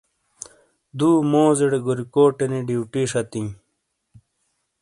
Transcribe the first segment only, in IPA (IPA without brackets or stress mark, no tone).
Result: d̪